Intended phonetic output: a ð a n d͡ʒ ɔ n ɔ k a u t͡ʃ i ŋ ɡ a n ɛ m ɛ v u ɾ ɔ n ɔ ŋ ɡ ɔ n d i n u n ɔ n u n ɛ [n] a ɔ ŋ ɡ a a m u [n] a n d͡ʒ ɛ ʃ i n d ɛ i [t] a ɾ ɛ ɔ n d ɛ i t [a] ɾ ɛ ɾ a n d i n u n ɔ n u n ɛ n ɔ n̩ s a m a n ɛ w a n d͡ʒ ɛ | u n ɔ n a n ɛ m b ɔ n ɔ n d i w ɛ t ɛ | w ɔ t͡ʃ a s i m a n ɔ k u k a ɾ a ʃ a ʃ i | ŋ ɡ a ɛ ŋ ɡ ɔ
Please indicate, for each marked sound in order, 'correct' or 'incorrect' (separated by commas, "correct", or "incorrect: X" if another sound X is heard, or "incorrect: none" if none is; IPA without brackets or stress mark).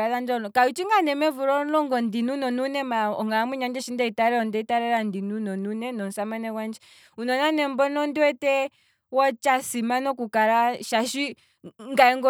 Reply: incorrect: m, incorrect: ɲ, correct, correct